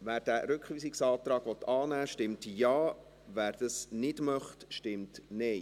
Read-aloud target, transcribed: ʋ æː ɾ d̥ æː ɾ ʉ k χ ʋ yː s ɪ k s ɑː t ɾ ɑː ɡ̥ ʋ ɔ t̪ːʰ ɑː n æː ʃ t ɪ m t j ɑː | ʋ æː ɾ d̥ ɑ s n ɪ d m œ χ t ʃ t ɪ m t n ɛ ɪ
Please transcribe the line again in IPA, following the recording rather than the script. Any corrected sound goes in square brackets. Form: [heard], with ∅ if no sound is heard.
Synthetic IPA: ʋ æː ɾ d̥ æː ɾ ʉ k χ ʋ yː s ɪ k s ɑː t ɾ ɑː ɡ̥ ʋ ɔ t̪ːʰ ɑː n æː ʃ t ɪ m t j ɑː | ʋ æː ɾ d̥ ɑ s n ɪ d m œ χ t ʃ t ɪ m t n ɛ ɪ